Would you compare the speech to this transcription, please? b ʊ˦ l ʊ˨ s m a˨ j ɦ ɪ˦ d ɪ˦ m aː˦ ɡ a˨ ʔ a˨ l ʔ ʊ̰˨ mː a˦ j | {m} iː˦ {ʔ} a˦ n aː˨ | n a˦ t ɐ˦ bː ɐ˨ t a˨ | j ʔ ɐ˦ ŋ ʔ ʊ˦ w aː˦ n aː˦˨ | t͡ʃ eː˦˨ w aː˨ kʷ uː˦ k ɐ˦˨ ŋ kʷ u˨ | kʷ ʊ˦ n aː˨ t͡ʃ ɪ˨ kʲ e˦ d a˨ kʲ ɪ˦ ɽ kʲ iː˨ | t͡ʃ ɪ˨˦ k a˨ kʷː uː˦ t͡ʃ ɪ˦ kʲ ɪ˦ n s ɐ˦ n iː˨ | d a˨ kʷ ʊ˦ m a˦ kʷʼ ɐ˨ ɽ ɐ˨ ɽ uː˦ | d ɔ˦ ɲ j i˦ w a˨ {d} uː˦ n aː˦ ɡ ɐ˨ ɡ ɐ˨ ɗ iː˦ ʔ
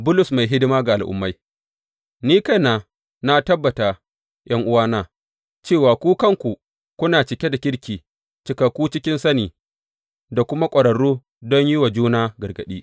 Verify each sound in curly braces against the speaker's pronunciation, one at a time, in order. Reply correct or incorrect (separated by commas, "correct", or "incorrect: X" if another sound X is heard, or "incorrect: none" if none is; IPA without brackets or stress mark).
incorrect: n, incorrect: k, incorrect: d͡ʒ